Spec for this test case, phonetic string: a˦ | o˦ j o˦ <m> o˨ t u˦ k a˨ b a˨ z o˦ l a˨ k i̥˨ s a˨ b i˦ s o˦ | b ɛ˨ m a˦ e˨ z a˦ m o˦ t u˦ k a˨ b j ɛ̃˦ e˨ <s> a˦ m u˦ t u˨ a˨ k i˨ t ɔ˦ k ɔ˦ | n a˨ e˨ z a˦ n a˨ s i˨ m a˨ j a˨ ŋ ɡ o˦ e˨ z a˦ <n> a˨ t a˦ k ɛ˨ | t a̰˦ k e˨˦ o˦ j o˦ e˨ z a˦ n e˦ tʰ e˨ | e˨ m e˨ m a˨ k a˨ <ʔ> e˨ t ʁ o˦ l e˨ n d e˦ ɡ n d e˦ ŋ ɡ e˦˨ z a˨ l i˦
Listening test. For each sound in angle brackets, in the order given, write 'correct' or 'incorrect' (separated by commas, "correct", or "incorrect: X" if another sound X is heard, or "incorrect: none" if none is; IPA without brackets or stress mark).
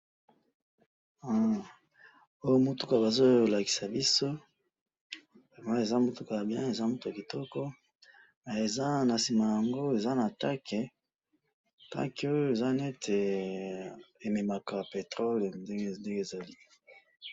correct, incorrect: z, correct, incorrect: p